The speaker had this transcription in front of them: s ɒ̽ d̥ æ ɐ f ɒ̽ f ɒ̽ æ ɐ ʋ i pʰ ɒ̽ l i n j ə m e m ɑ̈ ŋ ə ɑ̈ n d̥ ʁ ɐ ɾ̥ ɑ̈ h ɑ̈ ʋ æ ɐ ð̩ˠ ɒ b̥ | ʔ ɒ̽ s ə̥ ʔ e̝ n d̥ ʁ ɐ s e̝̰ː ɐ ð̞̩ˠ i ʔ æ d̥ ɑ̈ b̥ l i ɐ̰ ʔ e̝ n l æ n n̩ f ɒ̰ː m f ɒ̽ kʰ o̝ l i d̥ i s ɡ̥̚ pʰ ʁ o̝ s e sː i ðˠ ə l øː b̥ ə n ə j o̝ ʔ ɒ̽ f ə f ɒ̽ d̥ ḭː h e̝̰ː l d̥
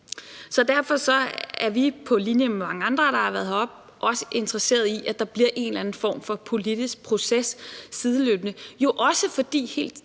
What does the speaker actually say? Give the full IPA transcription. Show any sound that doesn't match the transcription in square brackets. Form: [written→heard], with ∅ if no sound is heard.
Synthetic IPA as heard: s ɒ̽ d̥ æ ɐ f ɒ̽ [f→s] ɒ̽ æ ɐ ʋ i pʰ ɒ̽ l i n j ə m e m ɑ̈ ŋ ə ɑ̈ n d̥ ʁ ɐ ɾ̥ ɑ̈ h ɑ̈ ʋ æ ɐ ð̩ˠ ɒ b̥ | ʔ ɒ̽ s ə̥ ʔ e̝ n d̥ ʁ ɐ s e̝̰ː ɐ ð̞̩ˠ i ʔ æ d̥ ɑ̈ b̥ l i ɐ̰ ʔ e̝ n l æ n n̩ f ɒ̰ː m f ɒ̽ [kʰ→pʰ] o̝ l i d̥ i s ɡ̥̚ pʰ ʁ o̝ s e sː i ðˠ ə l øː b̥ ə n ə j o̝ ʔ ɒ̽ [f→s] ə f ɒ̽ d̥ ḭː h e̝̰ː l d̥

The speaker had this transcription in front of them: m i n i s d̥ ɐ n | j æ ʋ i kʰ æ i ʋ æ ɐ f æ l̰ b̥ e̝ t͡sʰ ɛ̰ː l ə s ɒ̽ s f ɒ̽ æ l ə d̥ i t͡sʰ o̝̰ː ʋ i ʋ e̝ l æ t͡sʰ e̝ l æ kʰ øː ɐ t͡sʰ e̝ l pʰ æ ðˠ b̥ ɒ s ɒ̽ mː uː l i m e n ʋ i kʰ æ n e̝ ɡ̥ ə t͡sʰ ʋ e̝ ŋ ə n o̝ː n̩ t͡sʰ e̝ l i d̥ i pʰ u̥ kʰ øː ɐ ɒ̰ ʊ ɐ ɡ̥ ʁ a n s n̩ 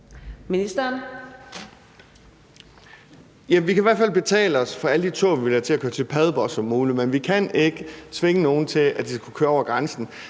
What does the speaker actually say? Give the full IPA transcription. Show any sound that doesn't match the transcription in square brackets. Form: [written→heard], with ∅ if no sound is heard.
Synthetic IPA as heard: m i n i s d̥ ɐ n | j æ ʋ i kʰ æ i ʋ æ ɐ f æ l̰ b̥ e̝ t͡sʰ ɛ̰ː l ə [s→∅] ɒ̽ s f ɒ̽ æ l ə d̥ i t͡sʰ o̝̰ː ʋ i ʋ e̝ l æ t͡sʰ e̝ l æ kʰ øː ɐ t͡sʰ e̝ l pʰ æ ðˠ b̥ ɒ s ɒ̽ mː uː l i m e n ʋ i kʰ æ n e̝ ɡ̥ ə t͡sʰ ʋ e̝ ŋ ə n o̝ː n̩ t͡sʰ e̝ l [i→æ] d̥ i [pʰ→kʰ] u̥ kʰ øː ɐ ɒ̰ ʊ ɐ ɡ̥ ʁ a n s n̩

